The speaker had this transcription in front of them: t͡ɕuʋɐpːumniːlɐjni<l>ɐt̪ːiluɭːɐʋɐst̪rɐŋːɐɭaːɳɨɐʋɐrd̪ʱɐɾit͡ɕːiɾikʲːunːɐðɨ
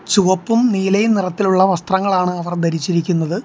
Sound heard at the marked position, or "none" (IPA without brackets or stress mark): r